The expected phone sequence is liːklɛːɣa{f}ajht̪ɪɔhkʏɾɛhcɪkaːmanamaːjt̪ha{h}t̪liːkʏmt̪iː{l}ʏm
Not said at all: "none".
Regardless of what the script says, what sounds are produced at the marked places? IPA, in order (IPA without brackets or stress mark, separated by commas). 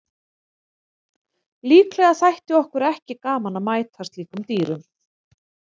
θ, s, ɾ